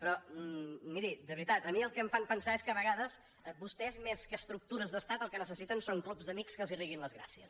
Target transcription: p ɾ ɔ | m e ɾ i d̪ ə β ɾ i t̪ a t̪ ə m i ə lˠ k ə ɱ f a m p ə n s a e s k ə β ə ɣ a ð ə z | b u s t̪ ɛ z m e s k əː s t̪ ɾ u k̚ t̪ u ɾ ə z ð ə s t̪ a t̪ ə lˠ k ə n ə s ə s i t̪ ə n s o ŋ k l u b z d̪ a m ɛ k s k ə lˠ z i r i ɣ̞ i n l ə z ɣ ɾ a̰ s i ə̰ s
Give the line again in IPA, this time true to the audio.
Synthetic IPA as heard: p ɾ ɔ | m i ɾ i d̪ ə β ɾ i t̪ a t̪ ə m i ə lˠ k ə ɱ f a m p ə n s a e s k ə β ə ɣ a ð ə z | b u s t̪ ɛ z m e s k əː s t̪ ɾ u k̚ t̪ u ɾ ə z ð ə s t̪ a t̪ ə lˠ k ə n ə s ə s i t̪ ə n s o ŋ k l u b z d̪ ə m i k s k ə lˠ z i r i ɣ̞ i n l ə z ɣ ɾ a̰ s i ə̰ s